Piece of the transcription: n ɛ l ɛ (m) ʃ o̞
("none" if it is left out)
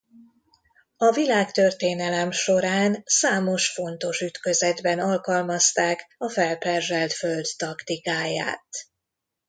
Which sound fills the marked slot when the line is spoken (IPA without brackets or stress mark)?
m